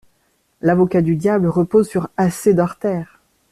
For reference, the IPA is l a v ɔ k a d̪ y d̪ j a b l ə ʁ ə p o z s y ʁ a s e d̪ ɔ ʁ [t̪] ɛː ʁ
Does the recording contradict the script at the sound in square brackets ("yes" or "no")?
no